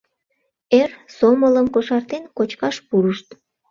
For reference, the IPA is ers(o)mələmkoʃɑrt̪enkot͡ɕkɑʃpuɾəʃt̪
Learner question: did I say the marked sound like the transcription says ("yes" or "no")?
yes